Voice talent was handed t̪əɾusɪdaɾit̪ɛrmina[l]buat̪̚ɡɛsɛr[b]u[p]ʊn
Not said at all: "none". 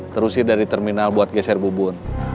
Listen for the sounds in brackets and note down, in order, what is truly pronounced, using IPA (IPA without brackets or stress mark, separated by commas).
l, b, b